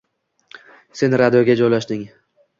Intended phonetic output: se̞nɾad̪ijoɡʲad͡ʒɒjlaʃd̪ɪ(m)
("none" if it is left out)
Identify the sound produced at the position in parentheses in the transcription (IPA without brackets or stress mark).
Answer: ŋ